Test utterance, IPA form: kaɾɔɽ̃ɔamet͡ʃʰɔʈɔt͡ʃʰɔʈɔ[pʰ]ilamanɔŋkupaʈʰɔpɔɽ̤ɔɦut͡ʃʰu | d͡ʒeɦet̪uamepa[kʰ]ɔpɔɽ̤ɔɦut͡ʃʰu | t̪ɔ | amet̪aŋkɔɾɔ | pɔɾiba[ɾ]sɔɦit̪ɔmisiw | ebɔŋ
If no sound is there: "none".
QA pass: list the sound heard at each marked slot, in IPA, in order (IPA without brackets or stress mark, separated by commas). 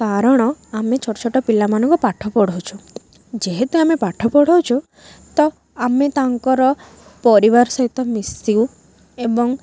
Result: p, ʈʰ, ɾ